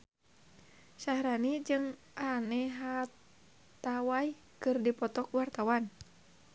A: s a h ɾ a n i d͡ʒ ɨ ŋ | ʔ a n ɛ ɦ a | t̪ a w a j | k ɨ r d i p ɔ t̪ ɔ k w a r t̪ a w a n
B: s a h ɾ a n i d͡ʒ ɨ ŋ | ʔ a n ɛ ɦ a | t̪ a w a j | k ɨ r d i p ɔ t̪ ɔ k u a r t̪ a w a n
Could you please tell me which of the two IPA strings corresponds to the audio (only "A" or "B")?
A